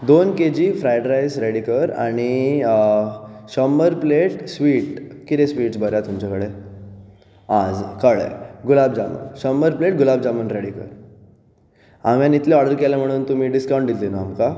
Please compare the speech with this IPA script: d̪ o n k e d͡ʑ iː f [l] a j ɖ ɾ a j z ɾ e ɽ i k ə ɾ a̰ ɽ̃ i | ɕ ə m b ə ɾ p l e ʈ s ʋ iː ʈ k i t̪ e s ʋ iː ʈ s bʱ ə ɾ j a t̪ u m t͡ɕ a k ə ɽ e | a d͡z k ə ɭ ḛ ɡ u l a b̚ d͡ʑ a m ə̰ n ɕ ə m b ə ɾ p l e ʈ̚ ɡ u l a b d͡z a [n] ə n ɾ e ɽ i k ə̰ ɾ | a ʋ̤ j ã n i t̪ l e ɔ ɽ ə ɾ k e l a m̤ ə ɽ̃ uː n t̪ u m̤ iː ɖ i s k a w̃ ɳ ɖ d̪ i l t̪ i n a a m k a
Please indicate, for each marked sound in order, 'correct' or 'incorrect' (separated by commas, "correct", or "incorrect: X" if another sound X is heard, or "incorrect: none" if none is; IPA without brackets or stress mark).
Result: incorrect: ɾ, incorrect: m